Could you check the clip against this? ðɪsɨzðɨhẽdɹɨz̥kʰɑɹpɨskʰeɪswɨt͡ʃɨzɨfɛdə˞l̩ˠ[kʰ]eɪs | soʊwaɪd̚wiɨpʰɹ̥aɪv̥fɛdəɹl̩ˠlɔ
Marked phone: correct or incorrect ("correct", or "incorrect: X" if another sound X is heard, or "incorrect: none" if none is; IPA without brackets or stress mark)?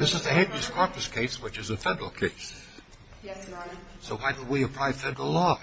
correct